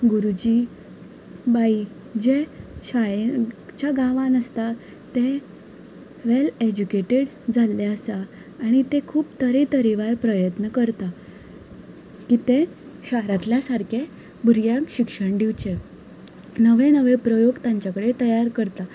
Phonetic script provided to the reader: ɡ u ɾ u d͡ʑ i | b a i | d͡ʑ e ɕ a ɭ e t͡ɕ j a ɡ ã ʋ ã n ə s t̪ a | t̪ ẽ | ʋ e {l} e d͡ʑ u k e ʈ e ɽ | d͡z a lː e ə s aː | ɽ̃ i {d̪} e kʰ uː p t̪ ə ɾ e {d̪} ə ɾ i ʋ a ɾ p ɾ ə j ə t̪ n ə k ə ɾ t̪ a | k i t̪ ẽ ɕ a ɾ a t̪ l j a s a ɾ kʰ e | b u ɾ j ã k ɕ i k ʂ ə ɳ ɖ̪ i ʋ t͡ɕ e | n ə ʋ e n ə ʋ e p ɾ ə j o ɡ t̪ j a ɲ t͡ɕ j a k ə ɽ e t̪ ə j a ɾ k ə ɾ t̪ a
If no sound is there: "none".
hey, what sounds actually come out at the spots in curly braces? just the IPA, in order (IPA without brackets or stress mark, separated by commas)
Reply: l, t̪, t̪